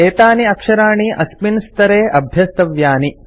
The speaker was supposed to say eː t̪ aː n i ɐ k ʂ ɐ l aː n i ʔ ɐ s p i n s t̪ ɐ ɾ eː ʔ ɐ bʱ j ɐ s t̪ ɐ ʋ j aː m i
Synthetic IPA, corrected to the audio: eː t̪ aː n i ɐ k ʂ ɐ ɾ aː ɳ i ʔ ɐ s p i n s t̪ ɐ ɾ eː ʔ ɐ bʱ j ɐ s t̪ ɐ ʋ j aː n i